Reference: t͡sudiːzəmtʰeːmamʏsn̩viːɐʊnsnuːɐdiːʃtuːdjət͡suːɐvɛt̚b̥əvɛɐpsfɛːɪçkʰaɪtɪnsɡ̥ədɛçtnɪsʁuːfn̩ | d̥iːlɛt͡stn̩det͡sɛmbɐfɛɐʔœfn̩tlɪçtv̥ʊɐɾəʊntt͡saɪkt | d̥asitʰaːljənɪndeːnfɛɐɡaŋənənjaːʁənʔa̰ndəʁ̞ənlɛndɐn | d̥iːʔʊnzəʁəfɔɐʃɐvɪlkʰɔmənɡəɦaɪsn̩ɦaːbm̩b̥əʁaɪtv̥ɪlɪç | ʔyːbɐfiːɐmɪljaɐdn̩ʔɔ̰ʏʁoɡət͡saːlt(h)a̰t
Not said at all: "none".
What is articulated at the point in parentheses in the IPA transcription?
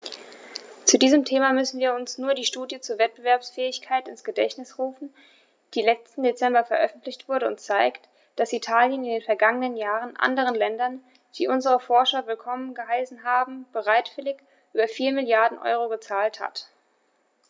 h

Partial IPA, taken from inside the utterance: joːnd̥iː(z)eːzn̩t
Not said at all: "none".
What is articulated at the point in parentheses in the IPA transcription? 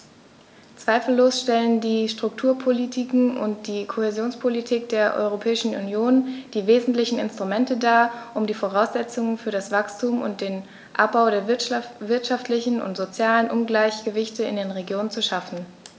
v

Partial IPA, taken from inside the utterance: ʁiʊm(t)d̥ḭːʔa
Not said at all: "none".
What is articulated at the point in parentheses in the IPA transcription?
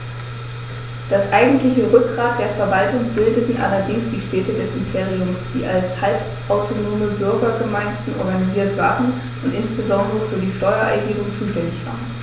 s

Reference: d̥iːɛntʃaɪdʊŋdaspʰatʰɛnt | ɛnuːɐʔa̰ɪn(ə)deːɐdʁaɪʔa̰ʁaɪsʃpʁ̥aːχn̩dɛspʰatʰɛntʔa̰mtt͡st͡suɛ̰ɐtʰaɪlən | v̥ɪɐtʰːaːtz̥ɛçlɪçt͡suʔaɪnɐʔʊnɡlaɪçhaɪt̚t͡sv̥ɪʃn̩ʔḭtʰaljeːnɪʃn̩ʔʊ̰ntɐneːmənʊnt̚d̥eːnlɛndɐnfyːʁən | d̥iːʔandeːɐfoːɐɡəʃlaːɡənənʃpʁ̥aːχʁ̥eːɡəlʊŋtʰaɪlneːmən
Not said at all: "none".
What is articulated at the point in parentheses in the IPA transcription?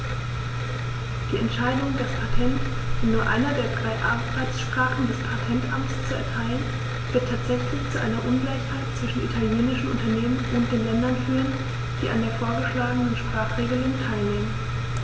ɐ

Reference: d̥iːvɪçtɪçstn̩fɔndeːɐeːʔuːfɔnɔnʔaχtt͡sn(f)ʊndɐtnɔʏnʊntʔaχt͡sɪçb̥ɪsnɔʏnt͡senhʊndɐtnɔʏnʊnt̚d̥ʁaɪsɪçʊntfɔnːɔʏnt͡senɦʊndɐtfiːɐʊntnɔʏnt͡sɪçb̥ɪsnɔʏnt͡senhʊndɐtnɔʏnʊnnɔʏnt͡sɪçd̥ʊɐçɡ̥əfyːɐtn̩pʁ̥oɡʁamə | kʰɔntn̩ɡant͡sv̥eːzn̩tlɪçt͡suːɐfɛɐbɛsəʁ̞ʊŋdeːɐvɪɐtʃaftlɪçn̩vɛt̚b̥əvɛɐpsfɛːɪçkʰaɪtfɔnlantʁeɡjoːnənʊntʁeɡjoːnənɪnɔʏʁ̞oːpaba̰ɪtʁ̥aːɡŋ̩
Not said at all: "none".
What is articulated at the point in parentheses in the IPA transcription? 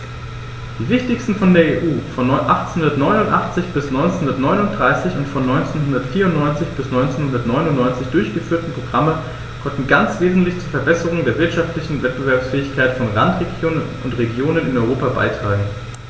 h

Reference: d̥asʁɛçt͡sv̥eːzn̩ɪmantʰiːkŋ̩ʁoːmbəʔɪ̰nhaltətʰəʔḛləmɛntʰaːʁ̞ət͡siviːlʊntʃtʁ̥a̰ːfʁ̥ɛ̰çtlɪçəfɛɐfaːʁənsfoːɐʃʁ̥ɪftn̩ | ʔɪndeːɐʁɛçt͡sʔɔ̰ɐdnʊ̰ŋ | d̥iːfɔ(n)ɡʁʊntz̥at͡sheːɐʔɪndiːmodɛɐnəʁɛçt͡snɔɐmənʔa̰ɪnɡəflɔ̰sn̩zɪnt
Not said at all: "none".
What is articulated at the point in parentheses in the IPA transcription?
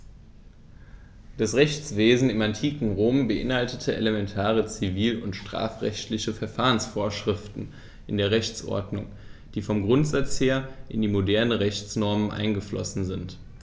m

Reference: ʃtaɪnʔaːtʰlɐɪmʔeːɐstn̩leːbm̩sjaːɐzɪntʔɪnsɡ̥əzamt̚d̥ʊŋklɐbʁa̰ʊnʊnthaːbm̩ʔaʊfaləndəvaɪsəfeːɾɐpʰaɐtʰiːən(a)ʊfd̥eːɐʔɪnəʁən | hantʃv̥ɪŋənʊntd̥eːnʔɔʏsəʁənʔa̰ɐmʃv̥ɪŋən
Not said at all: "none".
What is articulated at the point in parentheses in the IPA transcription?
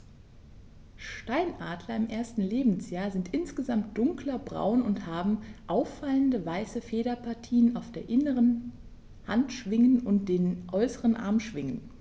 a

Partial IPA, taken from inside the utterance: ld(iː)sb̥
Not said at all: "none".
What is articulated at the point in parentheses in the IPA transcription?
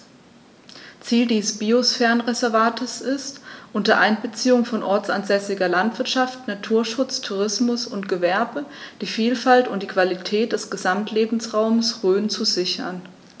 iː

